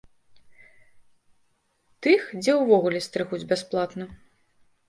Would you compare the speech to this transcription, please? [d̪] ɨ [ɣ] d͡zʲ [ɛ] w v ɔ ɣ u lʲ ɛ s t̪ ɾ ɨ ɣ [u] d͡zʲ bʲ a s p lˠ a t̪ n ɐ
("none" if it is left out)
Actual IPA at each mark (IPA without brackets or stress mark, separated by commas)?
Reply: t̪, x, ɛ, u